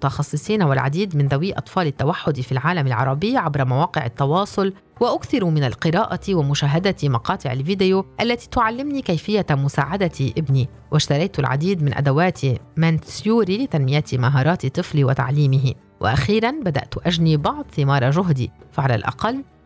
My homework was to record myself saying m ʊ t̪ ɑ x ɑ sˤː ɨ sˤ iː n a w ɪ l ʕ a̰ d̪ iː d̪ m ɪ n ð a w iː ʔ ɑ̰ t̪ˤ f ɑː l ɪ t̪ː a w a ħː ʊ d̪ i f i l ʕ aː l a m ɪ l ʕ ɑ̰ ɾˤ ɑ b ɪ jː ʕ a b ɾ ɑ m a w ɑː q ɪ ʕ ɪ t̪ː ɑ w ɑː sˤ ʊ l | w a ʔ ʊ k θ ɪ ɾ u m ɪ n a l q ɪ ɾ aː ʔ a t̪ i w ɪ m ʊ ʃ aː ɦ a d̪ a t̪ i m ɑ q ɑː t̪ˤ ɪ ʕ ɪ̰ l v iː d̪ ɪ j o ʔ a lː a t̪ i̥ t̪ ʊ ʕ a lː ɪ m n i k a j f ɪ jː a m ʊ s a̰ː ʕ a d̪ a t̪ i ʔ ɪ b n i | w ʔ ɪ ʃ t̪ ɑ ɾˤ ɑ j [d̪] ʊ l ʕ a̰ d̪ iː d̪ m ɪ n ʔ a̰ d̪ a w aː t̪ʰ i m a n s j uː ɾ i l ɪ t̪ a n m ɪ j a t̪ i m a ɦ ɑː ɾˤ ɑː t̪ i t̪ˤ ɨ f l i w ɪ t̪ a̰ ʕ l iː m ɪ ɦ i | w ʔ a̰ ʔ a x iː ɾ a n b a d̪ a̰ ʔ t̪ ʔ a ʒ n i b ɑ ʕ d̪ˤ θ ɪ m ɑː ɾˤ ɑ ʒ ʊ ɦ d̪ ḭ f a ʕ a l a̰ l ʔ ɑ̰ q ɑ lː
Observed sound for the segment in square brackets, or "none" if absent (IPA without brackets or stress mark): t̪